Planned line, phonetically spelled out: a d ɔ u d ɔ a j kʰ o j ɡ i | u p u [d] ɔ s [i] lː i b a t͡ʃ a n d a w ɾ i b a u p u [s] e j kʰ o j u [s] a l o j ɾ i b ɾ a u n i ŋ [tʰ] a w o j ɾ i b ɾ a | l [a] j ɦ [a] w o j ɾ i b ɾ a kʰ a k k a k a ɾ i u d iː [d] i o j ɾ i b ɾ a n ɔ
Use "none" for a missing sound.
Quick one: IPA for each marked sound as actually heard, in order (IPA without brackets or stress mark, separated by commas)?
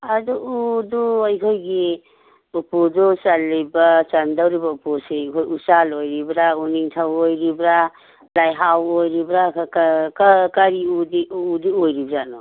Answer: d, a, s, s, tʰ, a, a, d